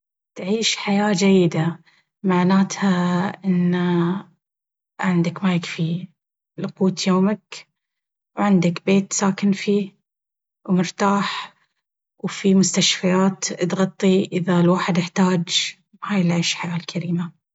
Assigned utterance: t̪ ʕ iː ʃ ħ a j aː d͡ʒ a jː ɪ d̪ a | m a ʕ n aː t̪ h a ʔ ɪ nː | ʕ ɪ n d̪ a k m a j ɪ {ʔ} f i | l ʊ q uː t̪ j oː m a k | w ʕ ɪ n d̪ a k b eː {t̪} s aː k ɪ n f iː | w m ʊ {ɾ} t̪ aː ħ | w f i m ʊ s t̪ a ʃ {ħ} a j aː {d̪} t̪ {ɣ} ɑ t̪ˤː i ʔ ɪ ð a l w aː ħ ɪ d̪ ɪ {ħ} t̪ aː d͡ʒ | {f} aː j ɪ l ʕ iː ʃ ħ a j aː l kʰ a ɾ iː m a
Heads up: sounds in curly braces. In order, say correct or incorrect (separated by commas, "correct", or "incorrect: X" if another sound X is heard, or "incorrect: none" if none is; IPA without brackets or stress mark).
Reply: incorrect: k, correct, correct, incorrect: f, incorrect: t̪, correct, correct, incorrect: h